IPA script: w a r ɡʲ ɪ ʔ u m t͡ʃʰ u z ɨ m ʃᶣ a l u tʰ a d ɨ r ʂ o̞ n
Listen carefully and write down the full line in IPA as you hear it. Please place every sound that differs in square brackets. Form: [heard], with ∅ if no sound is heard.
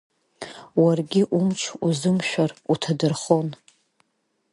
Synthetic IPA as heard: w a r ɡʲ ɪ ʔ u m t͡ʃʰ u z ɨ m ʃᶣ a [r] u tʰ a d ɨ r [χ] o̞ n